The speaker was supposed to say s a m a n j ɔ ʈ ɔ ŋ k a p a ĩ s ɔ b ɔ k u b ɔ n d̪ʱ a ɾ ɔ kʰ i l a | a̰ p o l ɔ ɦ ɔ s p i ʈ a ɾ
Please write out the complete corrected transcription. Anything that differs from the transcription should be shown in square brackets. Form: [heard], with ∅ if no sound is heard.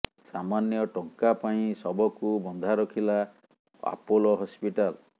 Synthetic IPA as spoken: s a m a n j ɔ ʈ ɔ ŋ k a p a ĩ s ɔ b ɔ k u b ɔ n d̪ʱ a ɾ ɔ kʰ i l a | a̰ p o l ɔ ɦ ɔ s p i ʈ a [l]